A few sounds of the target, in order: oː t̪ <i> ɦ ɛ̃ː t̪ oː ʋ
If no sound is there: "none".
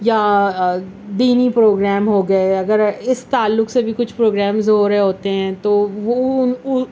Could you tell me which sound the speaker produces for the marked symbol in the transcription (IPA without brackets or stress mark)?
e